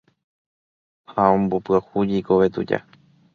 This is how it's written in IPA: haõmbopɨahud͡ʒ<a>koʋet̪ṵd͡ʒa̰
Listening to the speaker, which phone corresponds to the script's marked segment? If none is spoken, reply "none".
i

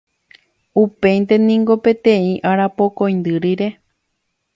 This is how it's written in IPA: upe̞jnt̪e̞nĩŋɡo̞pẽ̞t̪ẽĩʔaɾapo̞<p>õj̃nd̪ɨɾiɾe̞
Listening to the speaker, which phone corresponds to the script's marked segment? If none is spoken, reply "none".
k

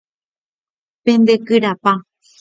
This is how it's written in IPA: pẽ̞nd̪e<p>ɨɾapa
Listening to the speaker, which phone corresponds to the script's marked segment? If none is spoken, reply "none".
k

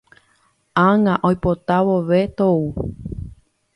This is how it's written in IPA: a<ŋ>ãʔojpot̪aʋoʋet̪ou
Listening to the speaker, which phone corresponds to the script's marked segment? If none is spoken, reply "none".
ŋ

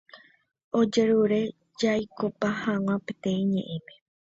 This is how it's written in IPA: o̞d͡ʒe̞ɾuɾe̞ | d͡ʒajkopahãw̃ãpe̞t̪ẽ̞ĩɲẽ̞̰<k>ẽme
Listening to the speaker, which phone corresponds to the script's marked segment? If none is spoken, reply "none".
ʔ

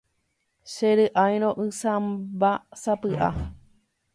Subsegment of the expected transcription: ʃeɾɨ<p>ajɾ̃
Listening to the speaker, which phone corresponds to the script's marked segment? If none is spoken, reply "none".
ʔ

